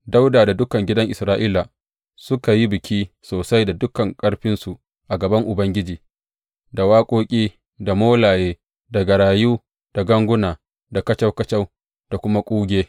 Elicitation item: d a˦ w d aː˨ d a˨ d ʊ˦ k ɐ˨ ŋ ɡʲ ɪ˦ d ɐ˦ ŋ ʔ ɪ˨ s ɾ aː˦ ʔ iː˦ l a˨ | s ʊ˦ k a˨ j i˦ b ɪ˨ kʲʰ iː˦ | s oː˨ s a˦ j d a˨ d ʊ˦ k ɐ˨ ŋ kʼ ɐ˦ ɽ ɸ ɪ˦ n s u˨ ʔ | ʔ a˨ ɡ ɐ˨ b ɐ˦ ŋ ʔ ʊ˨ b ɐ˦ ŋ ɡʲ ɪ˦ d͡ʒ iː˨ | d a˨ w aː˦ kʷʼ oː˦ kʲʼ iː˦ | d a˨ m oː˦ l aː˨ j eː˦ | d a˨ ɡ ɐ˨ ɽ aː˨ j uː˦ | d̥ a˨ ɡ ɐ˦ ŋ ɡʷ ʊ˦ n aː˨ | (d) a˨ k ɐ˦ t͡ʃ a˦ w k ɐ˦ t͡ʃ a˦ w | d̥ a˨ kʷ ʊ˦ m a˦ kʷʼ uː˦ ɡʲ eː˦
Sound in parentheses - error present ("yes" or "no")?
no